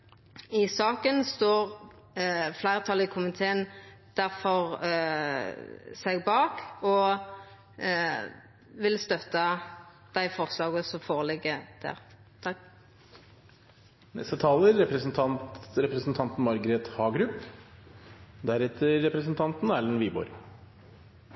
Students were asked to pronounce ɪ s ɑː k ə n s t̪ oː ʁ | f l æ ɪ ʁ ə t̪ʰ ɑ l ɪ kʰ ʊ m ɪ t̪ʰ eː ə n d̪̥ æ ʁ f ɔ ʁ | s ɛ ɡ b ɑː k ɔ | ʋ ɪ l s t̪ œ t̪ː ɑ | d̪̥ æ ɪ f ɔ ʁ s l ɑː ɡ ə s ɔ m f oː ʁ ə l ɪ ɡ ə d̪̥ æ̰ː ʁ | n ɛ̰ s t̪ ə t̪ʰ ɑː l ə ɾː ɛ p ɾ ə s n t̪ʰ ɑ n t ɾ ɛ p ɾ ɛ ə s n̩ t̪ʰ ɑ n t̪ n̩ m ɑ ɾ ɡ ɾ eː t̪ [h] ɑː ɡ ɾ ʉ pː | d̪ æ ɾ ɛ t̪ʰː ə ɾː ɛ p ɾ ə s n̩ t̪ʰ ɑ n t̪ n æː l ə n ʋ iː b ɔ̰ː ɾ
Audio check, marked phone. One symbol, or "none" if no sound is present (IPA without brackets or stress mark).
h